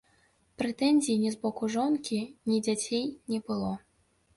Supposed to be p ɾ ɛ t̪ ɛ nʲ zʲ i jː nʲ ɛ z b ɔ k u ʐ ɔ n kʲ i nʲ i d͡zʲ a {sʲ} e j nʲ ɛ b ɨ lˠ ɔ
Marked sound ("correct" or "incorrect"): incorrect